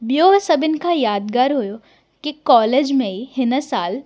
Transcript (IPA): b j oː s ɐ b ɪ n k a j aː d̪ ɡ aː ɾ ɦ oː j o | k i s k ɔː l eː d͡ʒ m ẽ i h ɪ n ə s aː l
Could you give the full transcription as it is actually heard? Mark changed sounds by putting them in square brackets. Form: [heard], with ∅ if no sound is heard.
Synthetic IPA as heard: b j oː s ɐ b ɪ n k a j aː d̪ ɡ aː ɾ ɦ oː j o | k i [∅] k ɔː l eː d͡ʒ m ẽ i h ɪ n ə s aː l

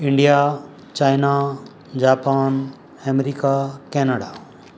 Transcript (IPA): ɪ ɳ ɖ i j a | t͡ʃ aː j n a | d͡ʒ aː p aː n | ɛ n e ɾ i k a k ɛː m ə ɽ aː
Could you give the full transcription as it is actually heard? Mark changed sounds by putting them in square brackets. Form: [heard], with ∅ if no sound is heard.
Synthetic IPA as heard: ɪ ɳ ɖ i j a | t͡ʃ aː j n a | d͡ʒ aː p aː n | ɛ [m] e ɾ i k a k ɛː [n] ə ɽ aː

